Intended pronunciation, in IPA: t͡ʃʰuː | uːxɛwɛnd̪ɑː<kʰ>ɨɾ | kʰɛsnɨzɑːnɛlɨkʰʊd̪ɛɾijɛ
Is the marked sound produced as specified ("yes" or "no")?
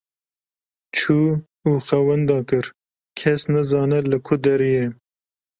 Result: no